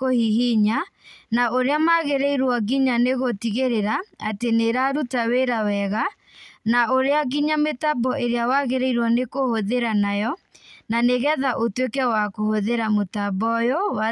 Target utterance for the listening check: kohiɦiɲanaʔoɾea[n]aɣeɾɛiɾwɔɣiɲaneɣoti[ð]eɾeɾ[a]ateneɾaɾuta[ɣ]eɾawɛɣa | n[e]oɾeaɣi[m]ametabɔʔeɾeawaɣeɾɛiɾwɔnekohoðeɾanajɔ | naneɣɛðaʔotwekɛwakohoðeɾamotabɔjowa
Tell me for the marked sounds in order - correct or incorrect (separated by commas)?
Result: incorrect, incorrect, correct, incorrect, incorrect, incorrect